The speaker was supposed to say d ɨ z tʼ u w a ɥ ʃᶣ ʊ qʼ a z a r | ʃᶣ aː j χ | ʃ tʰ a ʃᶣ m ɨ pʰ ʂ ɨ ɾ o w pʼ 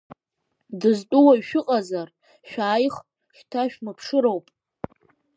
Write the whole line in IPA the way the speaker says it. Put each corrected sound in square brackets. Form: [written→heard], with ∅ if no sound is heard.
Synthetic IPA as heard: d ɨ z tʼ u w a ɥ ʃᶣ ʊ qʼ a z a r | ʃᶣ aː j χ | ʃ tʰ a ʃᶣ m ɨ pʰ ʂ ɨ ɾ o w pʼ